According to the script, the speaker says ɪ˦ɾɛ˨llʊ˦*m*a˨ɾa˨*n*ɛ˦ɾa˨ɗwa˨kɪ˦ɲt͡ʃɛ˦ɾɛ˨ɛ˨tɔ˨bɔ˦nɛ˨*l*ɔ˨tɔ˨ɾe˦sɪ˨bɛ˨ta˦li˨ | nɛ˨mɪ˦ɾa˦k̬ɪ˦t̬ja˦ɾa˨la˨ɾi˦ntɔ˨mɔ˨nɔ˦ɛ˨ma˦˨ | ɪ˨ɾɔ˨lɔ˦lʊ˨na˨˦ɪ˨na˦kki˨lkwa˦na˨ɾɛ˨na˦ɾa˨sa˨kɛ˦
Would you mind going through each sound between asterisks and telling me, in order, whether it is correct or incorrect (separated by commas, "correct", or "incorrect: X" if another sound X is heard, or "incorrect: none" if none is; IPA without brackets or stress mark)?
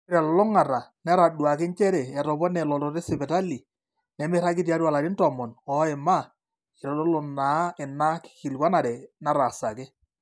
incorrect: ŋ, correct, correct